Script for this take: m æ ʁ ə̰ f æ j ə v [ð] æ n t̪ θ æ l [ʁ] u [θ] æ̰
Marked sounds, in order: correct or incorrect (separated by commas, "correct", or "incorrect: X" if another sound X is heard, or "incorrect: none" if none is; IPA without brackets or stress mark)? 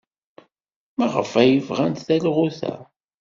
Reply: incorrect: ʁ, correct, correct